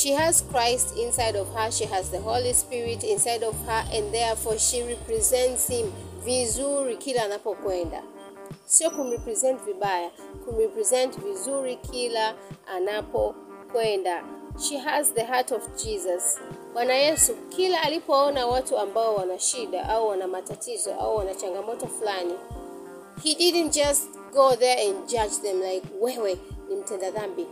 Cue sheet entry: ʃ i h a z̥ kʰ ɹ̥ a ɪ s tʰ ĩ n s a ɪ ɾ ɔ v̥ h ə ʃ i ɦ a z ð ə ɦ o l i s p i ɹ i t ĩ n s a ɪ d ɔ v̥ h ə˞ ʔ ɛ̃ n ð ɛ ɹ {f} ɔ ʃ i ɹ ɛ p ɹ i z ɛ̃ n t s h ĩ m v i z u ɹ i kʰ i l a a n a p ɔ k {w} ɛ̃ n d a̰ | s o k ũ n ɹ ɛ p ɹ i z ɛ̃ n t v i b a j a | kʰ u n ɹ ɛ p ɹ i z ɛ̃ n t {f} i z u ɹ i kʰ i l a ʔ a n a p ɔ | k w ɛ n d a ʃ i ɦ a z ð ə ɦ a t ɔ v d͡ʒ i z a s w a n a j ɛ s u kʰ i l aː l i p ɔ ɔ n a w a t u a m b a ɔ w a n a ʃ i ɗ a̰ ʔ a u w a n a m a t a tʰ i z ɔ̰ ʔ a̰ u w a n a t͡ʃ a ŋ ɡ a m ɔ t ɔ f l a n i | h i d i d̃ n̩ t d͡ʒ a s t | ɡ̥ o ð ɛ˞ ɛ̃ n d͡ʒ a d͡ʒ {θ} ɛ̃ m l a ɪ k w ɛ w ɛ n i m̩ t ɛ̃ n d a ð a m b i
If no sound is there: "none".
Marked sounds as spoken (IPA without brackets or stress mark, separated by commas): f, w, v, ð